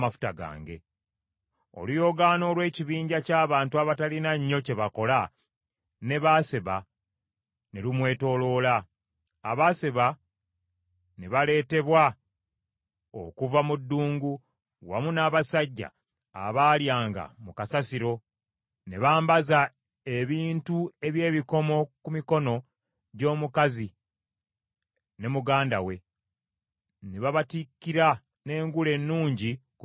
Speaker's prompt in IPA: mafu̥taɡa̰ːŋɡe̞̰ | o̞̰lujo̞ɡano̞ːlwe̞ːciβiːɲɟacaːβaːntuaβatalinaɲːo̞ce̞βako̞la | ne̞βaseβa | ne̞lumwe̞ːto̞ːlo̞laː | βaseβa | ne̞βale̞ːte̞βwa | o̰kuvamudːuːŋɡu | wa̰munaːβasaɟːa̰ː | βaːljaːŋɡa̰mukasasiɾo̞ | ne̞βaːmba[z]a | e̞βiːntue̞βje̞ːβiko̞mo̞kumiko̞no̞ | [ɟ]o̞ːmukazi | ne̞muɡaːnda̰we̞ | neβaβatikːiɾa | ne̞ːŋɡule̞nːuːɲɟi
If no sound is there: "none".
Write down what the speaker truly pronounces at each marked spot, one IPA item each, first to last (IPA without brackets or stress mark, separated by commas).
z, ɟ